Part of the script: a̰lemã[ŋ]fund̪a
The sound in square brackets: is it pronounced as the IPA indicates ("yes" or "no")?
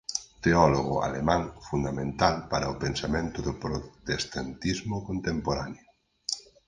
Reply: yes